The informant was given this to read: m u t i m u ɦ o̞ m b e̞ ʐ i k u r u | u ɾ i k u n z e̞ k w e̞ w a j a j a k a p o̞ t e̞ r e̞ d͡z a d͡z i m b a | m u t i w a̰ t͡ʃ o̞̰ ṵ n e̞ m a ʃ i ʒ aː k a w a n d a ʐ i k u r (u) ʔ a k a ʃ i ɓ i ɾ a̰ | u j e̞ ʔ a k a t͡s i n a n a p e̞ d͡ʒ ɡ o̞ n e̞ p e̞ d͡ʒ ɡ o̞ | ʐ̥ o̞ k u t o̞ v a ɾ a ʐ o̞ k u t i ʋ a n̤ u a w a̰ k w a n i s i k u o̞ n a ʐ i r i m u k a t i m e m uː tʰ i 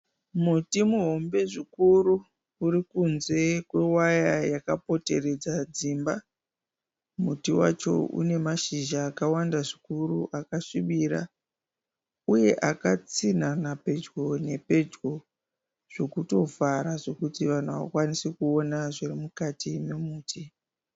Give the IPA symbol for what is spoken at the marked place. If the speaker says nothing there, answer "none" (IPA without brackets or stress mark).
u